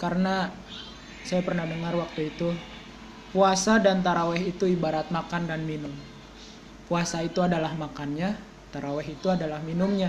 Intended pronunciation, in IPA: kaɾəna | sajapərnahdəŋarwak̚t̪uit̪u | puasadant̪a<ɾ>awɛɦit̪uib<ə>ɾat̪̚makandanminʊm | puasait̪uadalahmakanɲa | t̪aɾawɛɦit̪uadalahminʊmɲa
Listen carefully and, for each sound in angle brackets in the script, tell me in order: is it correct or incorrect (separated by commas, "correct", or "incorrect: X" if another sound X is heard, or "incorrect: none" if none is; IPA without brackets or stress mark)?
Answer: correct, incorrect: a